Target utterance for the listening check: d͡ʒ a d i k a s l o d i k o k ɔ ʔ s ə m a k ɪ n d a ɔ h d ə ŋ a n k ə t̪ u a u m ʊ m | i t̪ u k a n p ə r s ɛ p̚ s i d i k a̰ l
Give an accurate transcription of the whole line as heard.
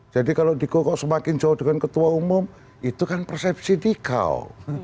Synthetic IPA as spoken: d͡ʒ a d i k a l o d i k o k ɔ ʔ s ə m a k ɪ n d͡ʒ a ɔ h d ə ŋ a n k ə t̪ u a u m ʊ m | i t̪ u k a n p ə r s ɛ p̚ s i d i k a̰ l